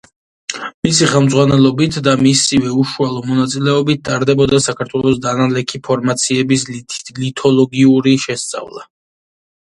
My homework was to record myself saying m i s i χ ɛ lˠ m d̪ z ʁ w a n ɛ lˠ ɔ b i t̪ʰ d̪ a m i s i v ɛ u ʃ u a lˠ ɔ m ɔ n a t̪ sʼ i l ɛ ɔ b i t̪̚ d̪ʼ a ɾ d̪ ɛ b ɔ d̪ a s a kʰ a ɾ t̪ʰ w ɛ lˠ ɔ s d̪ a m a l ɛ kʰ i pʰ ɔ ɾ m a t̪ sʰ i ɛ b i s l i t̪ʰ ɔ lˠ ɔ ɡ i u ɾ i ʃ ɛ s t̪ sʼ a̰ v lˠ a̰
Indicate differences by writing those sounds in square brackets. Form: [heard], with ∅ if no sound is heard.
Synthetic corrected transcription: m i s i χ ɛ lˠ m d̪ z ʁ w a n ɛ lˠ ɔ b i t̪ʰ d̪ a m i s i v ɛ u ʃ u a lˠ ɔ m ɔ n a t̪ sʼ i l ɛ ɔ b i t̪̚ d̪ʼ a ɾ d̪ ɛ b ɔ d̪ a s a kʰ a ɾ t̪ʰ w ɛ lˠ ɔ s d̪ a [n] a l ɛ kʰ i pʰ ɔ ɾ m a t̪ sʰ i ɛ b i s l i t̪ʰ ɔ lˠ ɔ ɡ i u ɾ i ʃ ɛ s t̪ sʼ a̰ v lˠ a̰